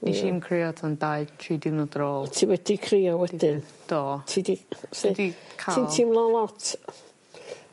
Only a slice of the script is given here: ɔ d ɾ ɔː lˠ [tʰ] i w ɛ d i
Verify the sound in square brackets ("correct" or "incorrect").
correct